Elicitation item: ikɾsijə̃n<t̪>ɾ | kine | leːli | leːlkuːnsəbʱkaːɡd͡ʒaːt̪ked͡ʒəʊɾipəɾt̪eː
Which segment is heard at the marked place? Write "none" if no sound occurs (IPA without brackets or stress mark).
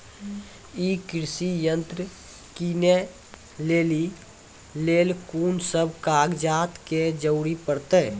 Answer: t̪